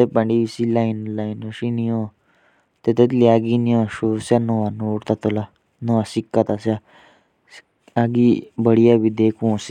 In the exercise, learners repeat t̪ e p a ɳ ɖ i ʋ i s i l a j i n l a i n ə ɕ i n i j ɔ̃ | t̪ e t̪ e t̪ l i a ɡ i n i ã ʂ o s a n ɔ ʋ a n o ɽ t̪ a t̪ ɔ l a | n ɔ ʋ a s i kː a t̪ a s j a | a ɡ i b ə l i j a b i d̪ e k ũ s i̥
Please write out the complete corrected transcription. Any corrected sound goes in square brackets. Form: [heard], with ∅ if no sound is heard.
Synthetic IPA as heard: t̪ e p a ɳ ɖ i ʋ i s i l a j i n l a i n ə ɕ i n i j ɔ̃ | t̪ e t̪ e t̪ l i a ɡ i n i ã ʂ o s a n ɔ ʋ a n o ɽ t̪ a t̪ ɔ l a | n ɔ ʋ a s i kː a t̪ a s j a | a ɡ i b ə [ɽ] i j a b i d̪ e k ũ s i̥